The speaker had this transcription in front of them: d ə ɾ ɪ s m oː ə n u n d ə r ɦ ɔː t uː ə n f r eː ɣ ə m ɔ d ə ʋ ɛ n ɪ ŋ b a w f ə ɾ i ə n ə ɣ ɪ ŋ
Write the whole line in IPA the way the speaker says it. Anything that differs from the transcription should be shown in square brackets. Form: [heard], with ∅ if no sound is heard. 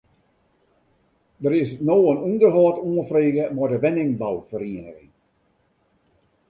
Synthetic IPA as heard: d ə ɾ ɪ s [n] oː ə n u n d ə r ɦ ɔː t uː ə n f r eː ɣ ə m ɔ d ə ʋ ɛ n ɪ ŋ b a w f ə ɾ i ə n ə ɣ ɪ ŋ